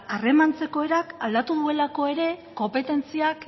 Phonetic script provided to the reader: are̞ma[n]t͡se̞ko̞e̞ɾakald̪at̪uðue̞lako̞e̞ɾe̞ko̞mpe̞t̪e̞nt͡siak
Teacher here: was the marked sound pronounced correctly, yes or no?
yes